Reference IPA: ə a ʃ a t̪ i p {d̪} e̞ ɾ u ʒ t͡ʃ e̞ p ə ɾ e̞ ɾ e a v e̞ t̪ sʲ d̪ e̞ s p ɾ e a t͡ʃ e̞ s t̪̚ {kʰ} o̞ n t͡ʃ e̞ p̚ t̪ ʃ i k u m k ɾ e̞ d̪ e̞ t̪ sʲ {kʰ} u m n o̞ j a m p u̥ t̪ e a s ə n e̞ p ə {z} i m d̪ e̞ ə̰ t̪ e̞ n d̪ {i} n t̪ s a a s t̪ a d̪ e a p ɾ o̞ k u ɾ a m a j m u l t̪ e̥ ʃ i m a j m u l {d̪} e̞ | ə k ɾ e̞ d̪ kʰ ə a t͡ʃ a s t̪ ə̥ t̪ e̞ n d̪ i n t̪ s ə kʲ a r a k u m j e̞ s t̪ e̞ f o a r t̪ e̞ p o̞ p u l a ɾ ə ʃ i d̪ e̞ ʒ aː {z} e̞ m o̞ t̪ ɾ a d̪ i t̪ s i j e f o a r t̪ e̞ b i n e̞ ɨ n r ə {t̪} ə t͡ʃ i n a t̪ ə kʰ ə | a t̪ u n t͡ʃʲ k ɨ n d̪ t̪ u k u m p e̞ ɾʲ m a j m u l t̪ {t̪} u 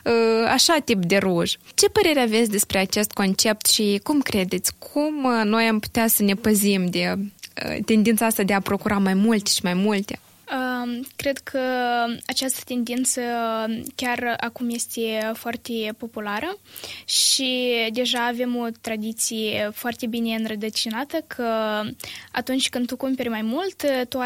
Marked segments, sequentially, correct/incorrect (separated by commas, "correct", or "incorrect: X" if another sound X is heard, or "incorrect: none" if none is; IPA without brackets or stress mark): correct, incorrect: k, correct, correct, correct, incorrect: t̪, incorrect: v, incorrect: d̪, correct